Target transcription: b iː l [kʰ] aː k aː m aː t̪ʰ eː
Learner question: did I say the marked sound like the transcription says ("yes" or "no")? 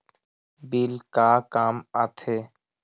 no